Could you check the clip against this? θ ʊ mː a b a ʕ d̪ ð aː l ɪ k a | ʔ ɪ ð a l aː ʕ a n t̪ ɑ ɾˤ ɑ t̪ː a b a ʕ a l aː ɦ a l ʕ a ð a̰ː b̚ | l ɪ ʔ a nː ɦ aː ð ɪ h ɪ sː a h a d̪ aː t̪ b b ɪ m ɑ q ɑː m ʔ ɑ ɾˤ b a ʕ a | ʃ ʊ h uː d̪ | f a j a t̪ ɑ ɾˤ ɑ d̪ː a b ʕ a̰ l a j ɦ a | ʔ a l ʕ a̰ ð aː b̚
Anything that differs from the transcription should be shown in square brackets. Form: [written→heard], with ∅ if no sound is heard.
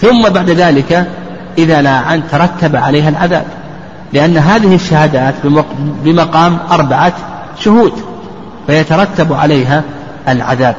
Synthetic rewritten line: θ ʊ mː a b a ʕ d̪ ð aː l ɪ k a | ʔ ɪ ð a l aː ʕ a n t̪ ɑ ɾˤ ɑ t̪ː a b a ʕ a l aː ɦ a l ʕ a ð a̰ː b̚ | l ɪ ʔ a nː ɦ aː ð ɪ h ɪ [sː→ʃː] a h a d̪ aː t̪ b b ɪ m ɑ q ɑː m ʔ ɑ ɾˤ b a ʕ a | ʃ ʊ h uː d̪ | f a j a t̪ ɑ ɾˤ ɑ [d̪ː→t̪ː] a b ʕ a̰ l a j ɦ a | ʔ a l ʕ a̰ ð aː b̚